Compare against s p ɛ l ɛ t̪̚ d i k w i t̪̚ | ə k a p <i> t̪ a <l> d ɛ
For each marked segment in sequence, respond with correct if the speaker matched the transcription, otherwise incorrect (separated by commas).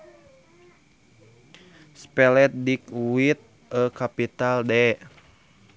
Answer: correct, correct